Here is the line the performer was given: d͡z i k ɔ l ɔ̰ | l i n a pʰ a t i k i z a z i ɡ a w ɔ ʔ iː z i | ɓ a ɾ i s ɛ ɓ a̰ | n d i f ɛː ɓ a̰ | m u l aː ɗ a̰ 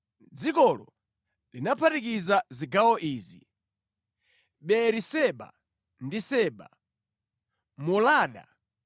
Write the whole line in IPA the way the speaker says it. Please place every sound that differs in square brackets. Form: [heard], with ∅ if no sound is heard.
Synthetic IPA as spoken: d͡z i k ɔ l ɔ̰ | l i n a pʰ a t i k i z a z i ɡ a w ɔ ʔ iː z i | ɓ [ɛ] ɾ i s ɛ ɓ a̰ | n d i [s] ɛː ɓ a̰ | m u l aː ɗ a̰